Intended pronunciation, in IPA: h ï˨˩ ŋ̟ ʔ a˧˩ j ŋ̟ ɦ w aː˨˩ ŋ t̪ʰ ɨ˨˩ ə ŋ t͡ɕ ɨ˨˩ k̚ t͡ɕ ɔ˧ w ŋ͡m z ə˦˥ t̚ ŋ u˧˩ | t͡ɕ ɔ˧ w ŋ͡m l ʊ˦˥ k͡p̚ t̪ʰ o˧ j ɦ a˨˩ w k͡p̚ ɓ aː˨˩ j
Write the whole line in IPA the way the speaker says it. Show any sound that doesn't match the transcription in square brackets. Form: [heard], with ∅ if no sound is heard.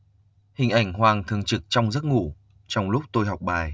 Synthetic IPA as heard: h ï˨˩ ŋ̟ ʔ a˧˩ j ŋ̟ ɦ w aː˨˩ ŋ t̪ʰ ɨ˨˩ ə ŋ t͡ɕ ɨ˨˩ k̚ t͡ɕ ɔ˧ w ŋ͡m z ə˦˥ t̚ ŋ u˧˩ | t͡ɕ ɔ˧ w ŋ͡m l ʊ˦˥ k͡p̚ [t̪] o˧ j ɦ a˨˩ w k͡p̚ ɓ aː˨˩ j